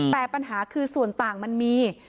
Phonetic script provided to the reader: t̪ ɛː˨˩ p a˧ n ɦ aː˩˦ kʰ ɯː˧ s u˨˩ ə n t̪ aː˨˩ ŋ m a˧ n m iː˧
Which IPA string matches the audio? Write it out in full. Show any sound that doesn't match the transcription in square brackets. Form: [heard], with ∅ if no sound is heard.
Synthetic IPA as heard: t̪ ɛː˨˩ p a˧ n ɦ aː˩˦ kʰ ɯː˧ s u˨˩ ə n t̪ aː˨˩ ŋ m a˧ n m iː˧

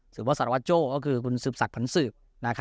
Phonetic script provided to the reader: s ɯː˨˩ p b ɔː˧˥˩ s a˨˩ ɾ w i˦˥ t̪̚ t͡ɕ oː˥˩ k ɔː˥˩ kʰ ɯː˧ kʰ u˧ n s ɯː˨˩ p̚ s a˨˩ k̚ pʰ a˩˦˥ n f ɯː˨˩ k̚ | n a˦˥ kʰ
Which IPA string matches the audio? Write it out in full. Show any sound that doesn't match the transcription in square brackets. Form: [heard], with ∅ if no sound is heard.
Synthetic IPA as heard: s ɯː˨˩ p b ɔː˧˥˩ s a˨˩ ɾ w [a˦˥] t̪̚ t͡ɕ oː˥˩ k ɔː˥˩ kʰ ɯː˧ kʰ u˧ n s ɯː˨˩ p̚ s a˨˩ k̚ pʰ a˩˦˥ n [s] ɯː˨˩ [p̚] | n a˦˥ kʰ

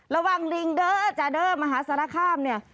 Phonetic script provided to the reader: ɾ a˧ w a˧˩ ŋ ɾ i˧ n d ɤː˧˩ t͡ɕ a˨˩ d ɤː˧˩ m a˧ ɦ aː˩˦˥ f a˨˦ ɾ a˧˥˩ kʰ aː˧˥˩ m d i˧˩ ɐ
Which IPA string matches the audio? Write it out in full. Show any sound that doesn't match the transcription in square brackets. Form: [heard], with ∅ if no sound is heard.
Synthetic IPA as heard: ɾ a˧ w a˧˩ ŋ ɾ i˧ [ŋ] d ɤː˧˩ t͡ɕ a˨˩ d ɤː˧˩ m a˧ ɦ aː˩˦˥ [s] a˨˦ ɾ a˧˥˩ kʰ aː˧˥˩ m [n] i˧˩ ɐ

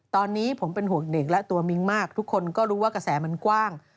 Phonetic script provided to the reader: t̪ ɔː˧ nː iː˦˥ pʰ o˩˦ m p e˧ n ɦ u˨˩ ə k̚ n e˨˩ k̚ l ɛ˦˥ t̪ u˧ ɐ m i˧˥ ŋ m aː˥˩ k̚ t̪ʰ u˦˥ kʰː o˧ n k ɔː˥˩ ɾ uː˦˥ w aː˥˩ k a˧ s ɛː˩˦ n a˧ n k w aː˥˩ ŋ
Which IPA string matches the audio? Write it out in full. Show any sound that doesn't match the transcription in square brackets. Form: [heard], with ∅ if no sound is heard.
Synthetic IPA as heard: t̪ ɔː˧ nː iː˦˥ pʰ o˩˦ m p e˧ n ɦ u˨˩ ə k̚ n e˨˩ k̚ l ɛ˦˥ t̪ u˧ ɐ m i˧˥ ŋ m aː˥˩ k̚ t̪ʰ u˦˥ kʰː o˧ n k ɔː˥˩ ɾ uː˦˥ w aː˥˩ k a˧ s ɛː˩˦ [m] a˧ n k w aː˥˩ ŋ

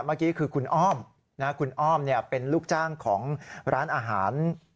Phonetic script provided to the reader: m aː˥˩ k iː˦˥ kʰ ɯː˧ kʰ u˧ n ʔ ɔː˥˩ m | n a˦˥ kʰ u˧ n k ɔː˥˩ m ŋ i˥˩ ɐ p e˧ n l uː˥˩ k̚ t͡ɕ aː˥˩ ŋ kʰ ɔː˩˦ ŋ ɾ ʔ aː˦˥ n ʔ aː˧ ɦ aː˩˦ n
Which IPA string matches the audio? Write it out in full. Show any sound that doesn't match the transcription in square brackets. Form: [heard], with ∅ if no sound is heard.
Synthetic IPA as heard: m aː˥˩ k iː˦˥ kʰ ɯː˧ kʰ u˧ n ʔ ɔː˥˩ m | n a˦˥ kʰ u˧ n [ʔ] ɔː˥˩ m [n] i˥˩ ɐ p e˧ n l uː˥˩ k̚ t͡ɕ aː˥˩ ŋ kʰ ɔː˩˦ ŋ ɾ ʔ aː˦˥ n ʔ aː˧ ɦ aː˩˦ n

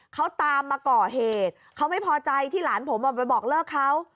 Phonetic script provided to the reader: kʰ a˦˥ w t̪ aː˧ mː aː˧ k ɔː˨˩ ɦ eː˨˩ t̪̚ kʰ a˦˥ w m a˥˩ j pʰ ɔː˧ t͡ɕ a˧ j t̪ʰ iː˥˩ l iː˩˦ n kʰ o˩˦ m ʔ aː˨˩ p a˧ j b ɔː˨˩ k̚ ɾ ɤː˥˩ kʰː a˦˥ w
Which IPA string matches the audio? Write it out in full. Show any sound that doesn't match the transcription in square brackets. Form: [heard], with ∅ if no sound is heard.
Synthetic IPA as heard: kʰ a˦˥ w t̪ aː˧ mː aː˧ k ɔː˨˩ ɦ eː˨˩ t̪̚ kʰ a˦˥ w m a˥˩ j pʰ ɔː˧ t͡ɕ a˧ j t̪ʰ iː˥˩ l [aː˩˦] n [pʰ] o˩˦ m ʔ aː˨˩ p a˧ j b ɔː˨˩ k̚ [l] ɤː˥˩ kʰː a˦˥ w

